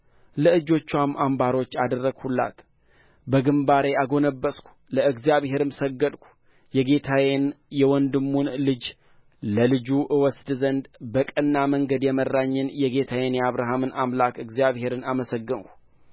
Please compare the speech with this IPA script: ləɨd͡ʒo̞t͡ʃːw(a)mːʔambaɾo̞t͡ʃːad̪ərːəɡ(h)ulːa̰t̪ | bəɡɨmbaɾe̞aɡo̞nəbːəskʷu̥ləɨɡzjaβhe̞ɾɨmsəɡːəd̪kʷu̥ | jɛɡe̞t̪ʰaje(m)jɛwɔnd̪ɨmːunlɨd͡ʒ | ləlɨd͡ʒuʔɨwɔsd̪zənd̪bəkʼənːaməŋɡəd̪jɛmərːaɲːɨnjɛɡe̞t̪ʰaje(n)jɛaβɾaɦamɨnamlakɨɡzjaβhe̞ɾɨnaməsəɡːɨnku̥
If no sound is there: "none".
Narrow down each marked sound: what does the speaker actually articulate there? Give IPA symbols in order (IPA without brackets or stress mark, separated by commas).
a, h, n, n